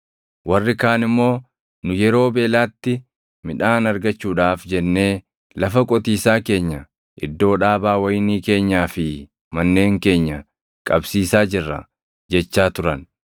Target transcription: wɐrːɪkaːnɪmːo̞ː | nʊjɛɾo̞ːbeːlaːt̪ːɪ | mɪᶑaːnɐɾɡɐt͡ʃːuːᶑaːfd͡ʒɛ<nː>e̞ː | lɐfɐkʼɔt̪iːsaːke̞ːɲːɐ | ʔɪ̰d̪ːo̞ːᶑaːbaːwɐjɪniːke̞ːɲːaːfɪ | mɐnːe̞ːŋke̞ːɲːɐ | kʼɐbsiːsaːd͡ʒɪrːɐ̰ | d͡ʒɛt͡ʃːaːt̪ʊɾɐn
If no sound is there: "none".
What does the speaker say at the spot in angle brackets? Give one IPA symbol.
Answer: nː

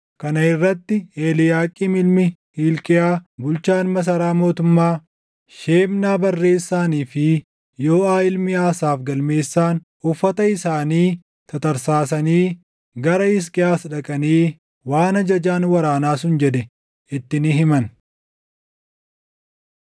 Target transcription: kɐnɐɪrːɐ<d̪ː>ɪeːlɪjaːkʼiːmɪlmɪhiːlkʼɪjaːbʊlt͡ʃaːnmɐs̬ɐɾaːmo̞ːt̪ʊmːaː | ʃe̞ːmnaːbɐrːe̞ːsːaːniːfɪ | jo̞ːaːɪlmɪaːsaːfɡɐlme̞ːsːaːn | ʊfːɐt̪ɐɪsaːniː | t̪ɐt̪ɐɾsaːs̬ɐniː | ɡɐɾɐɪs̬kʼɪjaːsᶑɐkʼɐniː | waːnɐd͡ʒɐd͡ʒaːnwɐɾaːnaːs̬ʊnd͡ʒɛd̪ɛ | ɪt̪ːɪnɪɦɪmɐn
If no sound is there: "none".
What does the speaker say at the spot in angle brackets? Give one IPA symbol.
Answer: t̪ː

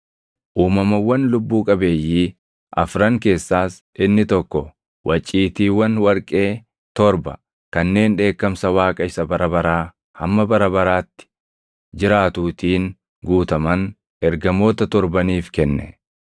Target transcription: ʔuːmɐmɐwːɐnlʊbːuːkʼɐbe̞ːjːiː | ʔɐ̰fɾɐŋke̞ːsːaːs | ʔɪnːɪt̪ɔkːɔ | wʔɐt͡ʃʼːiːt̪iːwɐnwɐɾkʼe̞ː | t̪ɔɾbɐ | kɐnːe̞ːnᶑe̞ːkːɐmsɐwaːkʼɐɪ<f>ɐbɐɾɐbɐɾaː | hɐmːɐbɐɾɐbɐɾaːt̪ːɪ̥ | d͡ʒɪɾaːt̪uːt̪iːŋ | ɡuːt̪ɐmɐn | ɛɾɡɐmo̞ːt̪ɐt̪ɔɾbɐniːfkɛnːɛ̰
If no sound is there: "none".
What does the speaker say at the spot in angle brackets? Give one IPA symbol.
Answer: s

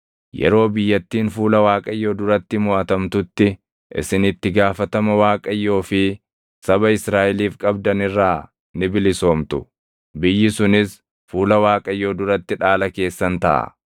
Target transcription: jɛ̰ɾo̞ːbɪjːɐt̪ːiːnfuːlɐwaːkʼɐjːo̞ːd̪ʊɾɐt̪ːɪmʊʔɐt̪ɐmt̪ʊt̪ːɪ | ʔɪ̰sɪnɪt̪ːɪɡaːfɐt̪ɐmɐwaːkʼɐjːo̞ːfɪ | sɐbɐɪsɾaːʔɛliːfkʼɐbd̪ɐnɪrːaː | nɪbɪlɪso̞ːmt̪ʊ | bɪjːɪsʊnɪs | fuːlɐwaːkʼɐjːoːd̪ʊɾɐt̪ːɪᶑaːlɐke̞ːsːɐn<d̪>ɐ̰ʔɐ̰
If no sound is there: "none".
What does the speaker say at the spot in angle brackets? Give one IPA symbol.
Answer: t̪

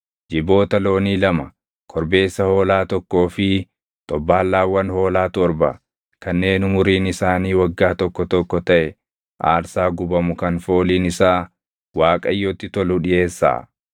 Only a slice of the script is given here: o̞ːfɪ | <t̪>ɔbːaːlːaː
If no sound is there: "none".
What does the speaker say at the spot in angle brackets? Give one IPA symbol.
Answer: t̪ʼ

